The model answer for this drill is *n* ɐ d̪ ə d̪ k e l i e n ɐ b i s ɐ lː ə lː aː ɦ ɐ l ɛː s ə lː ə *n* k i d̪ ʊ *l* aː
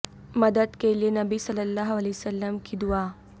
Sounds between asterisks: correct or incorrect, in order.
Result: incorrect: m, incorrect: m, incorrect: none

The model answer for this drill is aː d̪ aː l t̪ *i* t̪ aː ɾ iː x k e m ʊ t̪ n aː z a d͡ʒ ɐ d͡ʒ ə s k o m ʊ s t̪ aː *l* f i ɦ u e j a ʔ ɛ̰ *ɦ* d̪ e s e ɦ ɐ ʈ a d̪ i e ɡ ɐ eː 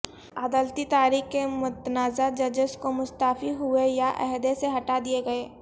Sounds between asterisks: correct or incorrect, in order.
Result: correct, incorrect: none, correct

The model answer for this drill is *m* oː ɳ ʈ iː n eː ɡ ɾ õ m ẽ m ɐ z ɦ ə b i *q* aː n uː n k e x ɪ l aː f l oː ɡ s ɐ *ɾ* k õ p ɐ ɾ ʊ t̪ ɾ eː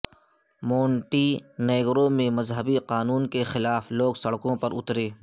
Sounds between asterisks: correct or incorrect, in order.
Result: correct, correct, incorrect: ɽ

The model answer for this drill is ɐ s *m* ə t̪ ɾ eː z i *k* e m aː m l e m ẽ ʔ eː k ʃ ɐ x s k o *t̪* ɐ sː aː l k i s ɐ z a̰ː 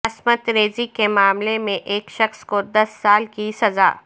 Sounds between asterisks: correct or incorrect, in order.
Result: correct, correct, incorrect: d̪

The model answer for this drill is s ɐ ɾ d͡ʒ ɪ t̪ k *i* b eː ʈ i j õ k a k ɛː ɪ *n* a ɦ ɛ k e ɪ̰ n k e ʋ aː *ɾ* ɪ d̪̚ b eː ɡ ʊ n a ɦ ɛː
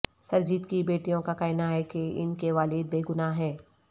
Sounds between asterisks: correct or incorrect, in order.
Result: correct, correct, incorrect: l

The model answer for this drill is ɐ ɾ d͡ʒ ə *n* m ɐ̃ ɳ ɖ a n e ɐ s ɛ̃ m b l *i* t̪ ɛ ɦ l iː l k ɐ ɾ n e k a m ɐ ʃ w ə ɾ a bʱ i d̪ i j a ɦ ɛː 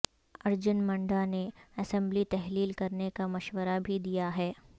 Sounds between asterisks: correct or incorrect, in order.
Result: correct, correct

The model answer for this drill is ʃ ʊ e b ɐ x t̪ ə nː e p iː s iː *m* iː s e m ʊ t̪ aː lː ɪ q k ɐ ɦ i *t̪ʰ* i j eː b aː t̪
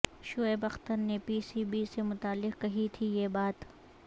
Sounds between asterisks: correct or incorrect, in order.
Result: incorrect: b, correct

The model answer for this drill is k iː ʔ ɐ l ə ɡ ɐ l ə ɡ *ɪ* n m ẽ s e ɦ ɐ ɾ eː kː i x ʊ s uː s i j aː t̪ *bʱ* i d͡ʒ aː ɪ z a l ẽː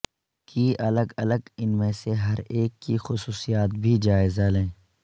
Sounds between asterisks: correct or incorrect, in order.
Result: correct, correct

